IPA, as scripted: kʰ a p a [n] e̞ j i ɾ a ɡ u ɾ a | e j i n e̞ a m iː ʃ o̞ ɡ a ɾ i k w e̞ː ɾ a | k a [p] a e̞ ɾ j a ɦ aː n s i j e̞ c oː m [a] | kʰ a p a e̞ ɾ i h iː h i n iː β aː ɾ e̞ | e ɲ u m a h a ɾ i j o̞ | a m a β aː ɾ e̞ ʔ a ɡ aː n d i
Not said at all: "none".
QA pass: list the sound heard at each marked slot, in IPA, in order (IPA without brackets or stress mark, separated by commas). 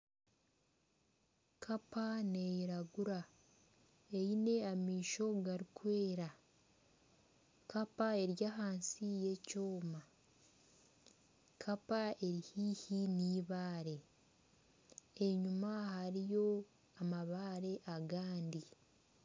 n, p, a